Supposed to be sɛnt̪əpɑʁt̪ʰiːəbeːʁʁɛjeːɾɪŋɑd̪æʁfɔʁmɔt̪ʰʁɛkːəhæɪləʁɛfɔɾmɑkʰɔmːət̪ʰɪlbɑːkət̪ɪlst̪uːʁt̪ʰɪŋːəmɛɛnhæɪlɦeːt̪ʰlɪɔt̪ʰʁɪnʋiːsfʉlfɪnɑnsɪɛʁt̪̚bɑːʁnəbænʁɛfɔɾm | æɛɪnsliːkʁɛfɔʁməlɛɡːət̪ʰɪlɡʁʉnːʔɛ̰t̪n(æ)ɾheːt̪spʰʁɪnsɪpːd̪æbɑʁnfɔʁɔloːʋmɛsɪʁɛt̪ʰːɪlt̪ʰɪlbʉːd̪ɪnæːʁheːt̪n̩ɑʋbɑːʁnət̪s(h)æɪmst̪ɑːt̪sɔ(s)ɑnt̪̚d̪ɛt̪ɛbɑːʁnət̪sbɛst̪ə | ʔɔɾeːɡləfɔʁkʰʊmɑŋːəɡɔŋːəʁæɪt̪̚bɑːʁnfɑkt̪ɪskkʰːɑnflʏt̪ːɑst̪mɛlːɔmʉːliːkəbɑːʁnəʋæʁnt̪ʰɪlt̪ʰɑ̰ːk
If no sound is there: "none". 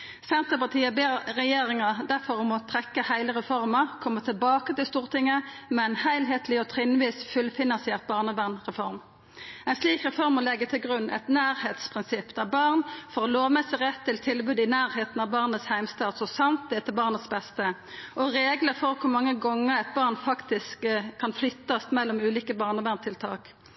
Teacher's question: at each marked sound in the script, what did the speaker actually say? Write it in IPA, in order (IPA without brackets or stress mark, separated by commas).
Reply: æː, h, s